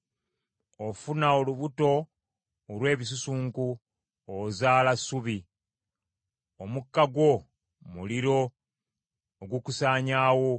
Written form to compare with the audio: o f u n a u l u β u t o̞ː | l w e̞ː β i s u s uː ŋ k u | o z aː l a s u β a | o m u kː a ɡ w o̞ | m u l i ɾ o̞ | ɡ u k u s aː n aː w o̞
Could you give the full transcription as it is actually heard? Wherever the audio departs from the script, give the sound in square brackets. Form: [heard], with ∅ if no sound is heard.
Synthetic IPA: o f u n a [o] l u β u t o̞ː | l w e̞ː β i s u s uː ŋ k u | o z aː l a s u β [i] | o m u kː a ɡ w o̞ | m u l i ɾ o̞ | ɡ u k u s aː [ɲ] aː w o̞